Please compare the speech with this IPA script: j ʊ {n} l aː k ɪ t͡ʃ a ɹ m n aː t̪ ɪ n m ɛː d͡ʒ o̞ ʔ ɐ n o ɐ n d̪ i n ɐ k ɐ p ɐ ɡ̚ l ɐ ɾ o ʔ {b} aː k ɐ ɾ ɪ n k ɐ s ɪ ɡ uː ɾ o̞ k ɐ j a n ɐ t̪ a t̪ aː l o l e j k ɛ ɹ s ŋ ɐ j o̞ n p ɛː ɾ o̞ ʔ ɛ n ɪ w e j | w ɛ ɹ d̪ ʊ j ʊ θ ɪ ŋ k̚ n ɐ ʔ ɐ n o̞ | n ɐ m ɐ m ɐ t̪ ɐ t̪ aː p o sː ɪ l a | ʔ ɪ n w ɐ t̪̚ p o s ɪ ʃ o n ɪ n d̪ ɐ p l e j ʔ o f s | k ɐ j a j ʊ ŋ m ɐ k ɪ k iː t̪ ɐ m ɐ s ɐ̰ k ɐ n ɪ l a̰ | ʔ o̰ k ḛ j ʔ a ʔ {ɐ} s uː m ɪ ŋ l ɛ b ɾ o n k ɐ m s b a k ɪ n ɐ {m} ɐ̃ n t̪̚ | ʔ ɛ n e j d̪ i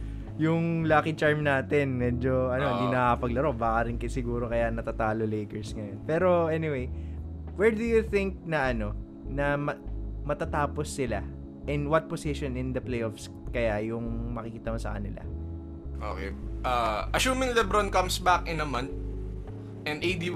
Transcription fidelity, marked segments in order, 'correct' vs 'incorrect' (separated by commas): incorrect, correct, correct, correct